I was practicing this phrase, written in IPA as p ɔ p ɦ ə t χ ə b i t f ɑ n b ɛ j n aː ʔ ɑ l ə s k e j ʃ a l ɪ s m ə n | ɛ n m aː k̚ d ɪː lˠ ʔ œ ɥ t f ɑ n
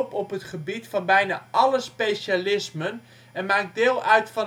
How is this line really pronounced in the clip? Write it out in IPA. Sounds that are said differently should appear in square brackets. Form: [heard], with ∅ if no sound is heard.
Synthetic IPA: p ɔ p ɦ ə t χ ə b i t f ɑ n b ɛ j n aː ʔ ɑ l ə s [p] e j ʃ a l ɪ s m ə n | ɛ n m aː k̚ d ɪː lˠ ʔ œ ɥ t f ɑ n